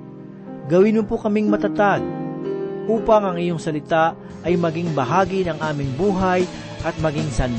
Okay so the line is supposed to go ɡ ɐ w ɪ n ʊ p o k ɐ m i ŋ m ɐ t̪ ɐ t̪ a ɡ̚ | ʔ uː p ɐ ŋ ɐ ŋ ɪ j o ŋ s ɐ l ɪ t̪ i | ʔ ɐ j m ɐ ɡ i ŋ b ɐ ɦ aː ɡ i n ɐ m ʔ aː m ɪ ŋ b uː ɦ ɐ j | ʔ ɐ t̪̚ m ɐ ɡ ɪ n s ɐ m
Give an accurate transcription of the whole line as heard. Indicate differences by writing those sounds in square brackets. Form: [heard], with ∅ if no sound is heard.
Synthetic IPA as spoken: ɡ ɐ w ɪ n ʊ p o k ɐ m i ŋ m ɐ t̪ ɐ t̪ a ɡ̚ | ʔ uː p ɐ ŋ ɐ ŋ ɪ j o ŋ s ɐ l ɪ t̪ [a] | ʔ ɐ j m ɐ ɡ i ŋ b ɐ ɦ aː ɡ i n ɐ [ŋ] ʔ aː m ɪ ŋ b uː ɦ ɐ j | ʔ ɐ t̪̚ m ɐ ɡ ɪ [ŋ] s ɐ [n]